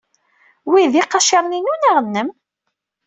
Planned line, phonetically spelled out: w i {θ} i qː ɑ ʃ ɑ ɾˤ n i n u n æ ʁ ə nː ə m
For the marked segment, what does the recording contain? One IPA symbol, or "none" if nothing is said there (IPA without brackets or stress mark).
ð